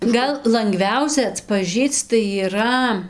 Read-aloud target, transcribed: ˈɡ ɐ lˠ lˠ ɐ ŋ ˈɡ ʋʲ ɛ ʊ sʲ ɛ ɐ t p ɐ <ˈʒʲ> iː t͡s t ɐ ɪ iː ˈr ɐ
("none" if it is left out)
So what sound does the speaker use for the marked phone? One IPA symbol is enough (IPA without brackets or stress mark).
ʒʲ